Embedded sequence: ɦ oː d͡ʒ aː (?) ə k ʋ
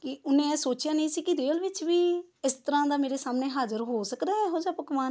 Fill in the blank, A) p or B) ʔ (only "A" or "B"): A